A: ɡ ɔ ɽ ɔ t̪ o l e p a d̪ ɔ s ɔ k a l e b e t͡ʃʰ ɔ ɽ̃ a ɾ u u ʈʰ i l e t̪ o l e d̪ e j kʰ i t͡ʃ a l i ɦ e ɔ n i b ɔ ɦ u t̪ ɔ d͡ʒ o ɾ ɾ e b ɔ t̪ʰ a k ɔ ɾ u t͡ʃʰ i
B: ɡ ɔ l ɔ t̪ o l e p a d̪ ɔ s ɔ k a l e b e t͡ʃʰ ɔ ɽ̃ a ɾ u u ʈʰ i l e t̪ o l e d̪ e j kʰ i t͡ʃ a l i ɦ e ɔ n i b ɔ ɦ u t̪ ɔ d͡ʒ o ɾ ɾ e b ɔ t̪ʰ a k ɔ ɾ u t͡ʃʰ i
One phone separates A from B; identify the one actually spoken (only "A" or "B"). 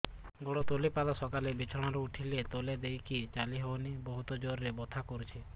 A